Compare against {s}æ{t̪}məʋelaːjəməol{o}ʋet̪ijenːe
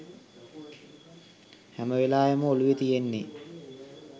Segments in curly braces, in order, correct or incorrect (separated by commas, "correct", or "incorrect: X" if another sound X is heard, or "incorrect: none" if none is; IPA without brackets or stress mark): incorrect: h, incorrect: none, incorrect: u